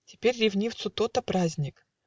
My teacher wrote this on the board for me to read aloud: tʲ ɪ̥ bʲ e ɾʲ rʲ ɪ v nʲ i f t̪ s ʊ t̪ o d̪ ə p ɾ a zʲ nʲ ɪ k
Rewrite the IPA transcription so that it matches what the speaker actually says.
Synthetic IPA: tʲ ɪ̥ pʲ e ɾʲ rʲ ɪ v nʲ i f t̪ s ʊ t̪ o t̪ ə p ɾ a zʲ nʲ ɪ k